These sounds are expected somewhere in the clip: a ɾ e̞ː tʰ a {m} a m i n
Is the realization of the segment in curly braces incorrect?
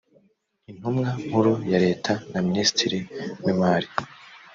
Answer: yes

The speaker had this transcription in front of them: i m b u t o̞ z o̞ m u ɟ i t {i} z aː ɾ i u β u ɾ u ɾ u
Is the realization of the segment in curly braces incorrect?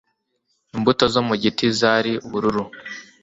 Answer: no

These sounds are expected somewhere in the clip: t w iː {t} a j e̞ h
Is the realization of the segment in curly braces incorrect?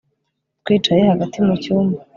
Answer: yes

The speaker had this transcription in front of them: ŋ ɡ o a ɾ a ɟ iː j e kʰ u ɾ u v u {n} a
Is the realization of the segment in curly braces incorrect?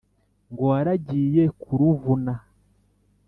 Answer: no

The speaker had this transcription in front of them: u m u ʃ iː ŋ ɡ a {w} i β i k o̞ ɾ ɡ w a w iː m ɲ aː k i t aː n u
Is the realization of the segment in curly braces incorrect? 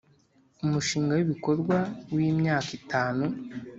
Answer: no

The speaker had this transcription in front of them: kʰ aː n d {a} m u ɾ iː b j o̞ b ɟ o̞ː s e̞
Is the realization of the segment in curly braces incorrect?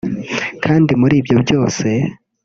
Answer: yes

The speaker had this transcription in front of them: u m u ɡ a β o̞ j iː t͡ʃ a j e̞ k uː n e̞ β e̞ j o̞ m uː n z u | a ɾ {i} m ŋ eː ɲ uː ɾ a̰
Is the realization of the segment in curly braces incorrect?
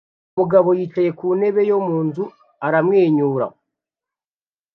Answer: yes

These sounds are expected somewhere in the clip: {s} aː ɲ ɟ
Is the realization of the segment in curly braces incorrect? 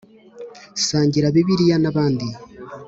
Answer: no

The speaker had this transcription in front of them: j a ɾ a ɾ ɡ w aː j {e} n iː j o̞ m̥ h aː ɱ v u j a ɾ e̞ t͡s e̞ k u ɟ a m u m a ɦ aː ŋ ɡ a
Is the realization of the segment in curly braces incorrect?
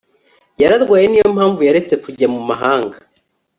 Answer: no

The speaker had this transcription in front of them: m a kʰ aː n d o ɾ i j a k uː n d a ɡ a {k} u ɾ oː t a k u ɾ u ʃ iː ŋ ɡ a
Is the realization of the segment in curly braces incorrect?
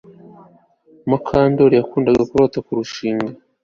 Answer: no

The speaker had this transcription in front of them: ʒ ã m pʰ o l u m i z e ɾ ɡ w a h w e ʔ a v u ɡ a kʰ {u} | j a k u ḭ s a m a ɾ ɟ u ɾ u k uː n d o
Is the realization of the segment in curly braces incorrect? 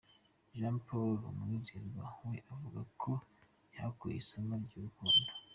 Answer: yes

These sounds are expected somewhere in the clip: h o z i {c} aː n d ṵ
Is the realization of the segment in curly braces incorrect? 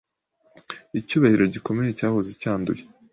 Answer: no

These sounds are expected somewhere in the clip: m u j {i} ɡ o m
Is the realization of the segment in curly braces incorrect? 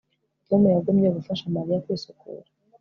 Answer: yes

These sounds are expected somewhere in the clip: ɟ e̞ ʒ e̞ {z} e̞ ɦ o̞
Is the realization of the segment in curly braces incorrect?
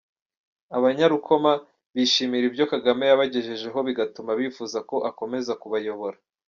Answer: yes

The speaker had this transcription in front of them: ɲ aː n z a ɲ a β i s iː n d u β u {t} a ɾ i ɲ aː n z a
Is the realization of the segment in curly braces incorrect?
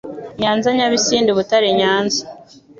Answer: no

